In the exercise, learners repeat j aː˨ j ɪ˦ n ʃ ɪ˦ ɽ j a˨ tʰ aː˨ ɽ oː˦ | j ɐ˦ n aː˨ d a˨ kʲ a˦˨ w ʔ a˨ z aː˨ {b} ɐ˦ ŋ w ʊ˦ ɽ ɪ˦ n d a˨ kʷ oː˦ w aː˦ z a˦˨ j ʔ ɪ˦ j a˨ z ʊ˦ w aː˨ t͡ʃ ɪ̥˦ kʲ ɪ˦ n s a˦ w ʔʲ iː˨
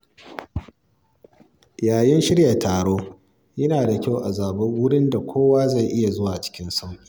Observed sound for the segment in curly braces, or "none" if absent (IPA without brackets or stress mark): b